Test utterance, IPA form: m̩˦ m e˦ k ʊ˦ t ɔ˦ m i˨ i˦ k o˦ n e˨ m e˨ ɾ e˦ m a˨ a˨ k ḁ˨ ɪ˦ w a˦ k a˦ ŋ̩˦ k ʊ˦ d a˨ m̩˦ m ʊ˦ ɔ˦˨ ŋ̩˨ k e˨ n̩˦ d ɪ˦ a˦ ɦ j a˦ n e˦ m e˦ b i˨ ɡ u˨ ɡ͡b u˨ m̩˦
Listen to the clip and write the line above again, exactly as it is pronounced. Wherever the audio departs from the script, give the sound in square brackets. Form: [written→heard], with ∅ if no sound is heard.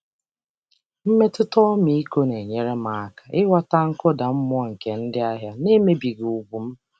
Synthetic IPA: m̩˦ m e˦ [k→t] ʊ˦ t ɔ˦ m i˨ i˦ k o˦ n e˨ [m→ɲ] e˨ ɾ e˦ m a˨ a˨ k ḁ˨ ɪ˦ w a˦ [k→t] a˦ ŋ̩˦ k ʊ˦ d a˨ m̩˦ m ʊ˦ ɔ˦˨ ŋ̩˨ k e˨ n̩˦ d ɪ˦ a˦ ɦ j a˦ n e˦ m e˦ b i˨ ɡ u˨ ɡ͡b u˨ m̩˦